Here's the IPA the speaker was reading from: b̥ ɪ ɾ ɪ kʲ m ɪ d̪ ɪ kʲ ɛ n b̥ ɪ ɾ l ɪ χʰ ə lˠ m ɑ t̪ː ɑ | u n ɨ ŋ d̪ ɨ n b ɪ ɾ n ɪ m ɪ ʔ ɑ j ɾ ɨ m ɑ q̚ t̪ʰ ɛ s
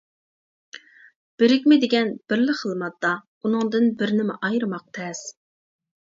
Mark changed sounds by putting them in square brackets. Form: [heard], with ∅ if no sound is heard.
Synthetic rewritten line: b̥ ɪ ɾ ɪ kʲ m ɪ d̪ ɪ [ɡʲ] ɛ n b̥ ɪ ɾ l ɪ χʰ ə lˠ m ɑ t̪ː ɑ | u n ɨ ŋ d̪ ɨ n b ɪ ɾ n ɪ m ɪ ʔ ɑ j ɾ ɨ m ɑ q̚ t̪ʰ ɛ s

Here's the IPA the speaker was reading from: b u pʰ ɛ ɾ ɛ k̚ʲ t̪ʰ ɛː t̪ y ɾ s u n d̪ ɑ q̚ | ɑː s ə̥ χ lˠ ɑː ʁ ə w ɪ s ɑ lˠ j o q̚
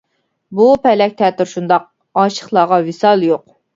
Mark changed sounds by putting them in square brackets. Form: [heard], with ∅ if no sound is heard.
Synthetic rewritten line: b u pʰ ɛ [l] ɛ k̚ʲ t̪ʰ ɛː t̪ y ɾ [ʃ] u n d̪ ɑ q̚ | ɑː [ʃ] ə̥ χ lˠ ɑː ʁ [ɑ] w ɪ s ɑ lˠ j o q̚

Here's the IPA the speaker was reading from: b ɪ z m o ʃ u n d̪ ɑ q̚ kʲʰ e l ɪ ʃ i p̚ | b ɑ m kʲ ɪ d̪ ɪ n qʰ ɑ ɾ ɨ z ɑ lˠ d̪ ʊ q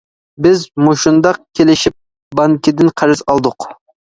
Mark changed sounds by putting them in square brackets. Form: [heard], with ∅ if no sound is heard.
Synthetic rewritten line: b ɪ z m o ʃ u n d̪ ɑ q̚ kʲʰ e l ɪ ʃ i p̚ | b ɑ [ŋ] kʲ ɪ d̪ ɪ n qʰ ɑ ɾ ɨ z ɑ lˠ d̪ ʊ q

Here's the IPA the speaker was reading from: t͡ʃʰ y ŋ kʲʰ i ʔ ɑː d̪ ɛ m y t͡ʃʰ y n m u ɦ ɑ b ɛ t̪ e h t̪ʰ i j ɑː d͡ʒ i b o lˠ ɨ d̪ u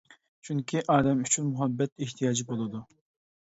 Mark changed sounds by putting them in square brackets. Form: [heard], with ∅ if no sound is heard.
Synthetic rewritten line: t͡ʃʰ y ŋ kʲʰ i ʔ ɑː d̪ ɛ m y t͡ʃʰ y n m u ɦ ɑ [bː] ɛ t̪ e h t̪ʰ i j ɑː d͡ʒ i b o lˠ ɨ d̪ u

